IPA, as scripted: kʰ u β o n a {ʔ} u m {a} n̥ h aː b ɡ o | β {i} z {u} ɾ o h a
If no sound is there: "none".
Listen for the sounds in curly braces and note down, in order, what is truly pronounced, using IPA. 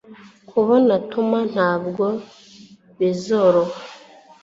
t, a, i, o

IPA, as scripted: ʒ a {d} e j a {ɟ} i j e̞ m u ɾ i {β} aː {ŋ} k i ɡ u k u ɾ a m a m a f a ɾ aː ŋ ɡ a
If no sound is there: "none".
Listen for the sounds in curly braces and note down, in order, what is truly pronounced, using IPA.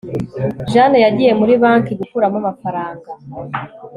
n, ɟ, β, ŋ

